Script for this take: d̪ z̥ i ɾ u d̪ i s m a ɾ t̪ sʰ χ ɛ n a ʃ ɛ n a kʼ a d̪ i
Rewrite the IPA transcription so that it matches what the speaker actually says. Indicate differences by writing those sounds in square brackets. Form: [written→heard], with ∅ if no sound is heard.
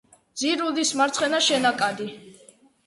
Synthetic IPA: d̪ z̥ i ɾ u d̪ i s m a ɾ t̪ sʰ χ ɛ n a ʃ ɛ n a kʼ a d̪ i